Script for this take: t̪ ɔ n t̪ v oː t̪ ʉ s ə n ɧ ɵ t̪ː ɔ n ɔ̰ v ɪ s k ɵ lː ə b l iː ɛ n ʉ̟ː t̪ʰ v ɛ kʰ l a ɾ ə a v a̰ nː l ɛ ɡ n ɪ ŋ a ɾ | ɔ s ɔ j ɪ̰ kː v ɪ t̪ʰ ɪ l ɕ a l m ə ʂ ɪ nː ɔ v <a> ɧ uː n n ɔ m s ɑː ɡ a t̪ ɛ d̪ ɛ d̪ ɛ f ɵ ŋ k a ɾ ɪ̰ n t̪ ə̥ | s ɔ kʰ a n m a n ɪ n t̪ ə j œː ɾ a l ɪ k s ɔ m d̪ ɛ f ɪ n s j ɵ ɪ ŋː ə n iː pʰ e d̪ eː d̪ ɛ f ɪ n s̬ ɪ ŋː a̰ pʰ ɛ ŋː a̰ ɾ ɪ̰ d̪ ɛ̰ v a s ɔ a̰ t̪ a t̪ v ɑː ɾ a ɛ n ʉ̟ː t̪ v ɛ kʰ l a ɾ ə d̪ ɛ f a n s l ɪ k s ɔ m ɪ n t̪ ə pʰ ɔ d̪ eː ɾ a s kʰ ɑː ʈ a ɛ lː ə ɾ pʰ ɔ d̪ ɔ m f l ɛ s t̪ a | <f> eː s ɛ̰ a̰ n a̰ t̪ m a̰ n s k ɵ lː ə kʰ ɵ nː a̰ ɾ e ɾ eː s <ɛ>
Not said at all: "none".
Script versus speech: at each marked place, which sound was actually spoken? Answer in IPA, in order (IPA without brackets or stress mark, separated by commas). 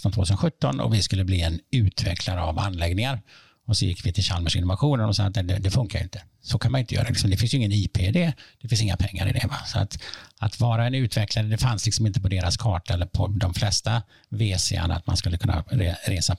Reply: a, v, a